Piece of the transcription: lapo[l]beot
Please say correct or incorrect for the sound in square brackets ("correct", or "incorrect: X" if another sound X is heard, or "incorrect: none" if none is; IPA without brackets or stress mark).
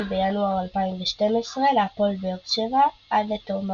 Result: correct